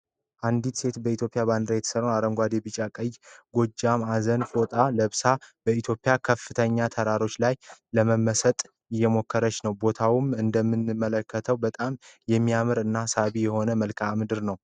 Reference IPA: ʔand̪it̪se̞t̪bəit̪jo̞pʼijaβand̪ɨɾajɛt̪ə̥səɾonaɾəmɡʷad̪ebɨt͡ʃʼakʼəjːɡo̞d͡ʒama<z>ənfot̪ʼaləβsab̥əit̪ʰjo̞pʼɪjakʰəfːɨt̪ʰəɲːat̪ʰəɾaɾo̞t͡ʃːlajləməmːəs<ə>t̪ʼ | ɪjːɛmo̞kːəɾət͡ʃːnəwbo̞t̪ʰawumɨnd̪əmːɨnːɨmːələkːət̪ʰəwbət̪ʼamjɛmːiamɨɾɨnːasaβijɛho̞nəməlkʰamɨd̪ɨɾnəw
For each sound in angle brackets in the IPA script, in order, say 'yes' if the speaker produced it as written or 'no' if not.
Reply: yes, yes

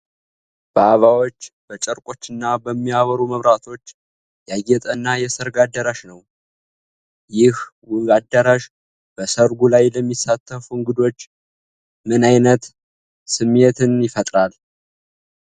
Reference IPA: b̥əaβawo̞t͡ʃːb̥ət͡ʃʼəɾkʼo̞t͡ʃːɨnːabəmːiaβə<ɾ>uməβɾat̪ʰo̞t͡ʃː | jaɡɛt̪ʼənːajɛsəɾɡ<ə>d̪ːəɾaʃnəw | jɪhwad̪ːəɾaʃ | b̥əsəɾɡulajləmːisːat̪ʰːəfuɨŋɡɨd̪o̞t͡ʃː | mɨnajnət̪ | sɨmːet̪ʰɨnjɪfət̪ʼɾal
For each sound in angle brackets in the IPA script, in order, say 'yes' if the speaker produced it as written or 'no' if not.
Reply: yes, no

